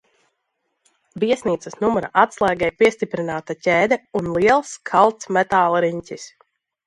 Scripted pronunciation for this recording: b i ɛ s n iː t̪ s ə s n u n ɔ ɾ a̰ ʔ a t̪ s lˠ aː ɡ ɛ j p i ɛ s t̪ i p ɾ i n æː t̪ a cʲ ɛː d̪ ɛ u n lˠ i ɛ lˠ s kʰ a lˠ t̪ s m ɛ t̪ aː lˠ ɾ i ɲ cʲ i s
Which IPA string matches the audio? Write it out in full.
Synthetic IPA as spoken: b i ɛ s n iː t̪ s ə s n u m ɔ ɾ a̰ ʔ a t̪ s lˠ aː ɡ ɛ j p i ɛ s t̪ i p ɾ i n aː t̪ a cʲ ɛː d̪ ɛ u n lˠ i ɛ lˠ s kʰ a lˠ t̪ s m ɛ t̪ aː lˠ ɾ i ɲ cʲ i s